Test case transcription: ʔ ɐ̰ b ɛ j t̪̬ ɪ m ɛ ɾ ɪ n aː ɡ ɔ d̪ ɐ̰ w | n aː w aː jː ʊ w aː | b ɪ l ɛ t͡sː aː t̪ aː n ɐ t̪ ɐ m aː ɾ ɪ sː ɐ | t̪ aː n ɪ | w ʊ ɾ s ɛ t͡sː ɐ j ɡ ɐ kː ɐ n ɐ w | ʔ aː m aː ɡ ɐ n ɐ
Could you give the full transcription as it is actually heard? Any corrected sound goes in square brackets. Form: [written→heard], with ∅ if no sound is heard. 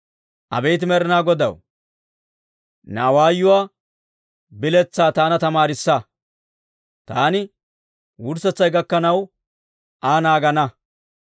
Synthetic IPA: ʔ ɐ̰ b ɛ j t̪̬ ɪ m ɛ ɾ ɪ n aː ɡ ɔ d̪ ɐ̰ w | n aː w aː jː ʊ w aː | b ɪ l ɛ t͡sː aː t̪ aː n ɐ t̪ ɐ m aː ɾ ɪ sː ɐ | t̪ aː n ɪ | w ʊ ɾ s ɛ t͡sː ɐ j ɡ ɐ kː ɐ n ɐ w | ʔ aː [m→n] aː ɡ ɐ n ɐ